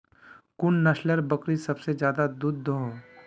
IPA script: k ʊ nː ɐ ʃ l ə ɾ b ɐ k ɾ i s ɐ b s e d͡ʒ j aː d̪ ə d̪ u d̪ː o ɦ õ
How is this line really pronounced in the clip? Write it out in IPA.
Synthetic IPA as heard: k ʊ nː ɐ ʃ l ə ɾ b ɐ k ɾ i s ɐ b s e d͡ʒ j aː d̪ a d̪ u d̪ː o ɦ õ